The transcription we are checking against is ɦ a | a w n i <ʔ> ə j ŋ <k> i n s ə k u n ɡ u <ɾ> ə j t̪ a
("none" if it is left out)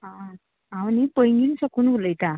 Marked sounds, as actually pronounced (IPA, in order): p, ɡ, l

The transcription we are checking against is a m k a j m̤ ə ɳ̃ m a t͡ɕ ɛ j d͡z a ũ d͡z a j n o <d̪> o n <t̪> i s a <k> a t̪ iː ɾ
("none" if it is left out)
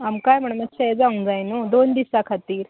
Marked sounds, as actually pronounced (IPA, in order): d̪, d̪, kʰ

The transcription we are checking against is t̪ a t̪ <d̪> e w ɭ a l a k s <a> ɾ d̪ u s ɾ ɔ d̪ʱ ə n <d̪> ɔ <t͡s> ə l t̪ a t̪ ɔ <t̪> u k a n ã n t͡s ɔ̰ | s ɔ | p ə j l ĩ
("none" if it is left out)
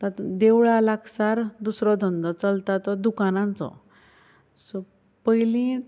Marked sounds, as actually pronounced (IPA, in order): d̪, a, d̪, t͡s, d̪

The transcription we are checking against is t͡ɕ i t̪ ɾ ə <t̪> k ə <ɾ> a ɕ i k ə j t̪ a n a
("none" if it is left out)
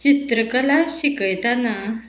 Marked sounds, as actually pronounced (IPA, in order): none, l

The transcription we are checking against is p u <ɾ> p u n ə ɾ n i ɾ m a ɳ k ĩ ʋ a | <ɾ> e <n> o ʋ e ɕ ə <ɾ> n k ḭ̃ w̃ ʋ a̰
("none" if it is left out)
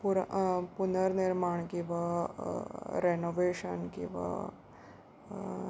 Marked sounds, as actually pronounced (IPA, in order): ɾ, ɾ, n, none

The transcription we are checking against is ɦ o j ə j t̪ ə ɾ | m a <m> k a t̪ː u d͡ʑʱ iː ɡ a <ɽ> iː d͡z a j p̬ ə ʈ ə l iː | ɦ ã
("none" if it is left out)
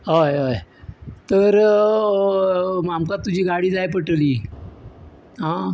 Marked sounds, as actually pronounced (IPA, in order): m, ɽ

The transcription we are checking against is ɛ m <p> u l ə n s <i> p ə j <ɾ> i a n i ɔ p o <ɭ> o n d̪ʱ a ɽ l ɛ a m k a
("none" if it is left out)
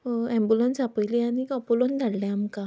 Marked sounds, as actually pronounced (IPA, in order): b, a, l, l

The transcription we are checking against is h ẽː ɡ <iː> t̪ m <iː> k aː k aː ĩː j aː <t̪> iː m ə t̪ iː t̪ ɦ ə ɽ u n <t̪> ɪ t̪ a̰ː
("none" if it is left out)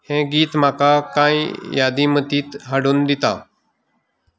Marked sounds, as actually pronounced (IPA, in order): iː, aː, d̪, d̪

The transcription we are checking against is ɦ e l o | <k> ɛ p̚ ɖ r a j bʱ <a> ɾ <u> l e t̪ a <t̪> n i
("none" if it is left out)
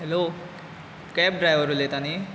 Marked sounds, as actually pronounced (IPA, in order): k, ʌ, u, none

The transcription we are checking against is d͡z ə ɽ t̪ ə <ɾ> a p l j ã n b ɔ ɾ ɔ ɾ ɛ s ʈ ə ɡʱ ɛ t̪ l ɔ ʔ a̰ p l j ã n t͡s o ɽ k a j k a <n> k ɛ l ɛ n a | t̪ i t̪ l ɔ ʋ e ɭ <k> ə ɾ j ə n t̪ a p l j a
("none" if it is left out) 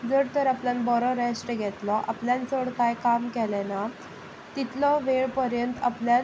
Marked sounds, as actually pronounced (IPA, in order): ɾ, m, p

